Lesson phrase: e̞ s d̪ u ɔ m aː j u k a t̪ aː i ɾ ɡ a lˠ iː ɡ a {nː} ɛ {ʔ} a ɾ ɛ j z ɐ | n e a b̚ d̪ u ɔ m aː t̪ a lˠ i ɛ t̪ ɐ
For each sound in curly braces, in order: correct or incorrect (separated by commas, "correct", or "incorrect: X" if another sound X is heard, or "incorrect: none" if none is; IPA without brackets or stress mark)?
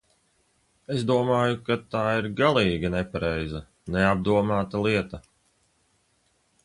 incorrect: n, incorrect: p